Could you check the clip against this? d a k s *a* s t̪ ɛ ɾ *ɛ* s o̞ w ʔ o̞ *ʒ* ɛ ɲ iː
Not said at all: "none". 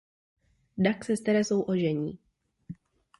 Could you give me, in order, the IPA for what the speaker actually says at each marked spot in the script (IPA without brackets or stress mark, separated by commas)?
ɛ, ɛ, ʒ